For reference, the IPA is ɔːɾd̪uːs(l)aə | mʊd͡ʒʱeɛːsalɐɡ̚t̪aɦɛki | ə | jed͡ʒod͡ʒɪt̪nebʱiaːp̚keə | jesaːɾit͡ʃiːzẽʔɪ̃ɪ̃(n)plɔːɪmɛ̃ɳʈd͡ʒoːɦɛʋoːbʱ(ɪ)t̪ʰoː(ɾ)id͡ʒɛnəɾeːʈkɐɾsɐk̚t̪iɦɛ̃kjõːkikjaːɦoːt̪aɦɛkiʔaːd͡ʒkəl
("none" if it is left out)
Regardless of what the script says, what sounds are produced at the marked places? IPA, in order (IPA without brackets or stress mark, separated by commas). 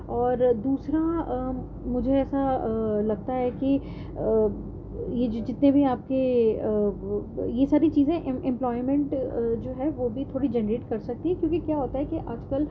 ɾ, m, i, ɽ